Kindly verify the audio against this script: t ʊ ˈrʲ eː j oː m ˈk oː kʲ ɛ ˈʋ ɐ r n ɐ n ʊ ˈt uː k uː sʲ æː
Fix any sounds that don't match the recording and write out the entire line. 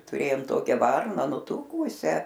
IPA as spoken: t ʊ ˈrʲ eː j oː m ˈt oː kʲ ɛ ˈʋ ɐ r n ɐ n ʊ ˈt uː k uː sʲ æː